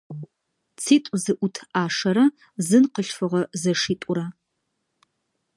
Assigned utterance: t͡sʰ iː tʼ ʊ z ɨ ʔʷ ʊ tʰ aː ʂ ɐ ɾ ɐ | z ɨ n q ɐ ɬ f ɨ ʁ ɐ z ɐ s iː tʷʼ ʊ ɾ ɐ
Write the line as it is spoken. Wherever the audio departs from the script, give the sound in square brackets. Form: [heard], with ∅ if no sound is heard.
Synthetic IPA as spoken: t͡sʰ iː tʼ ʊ z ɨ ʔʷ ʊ tʰ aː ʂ ɐ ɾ ɐ | z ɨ n q [ə] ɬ f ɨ ʁ ɐ z ɐ [ʂ] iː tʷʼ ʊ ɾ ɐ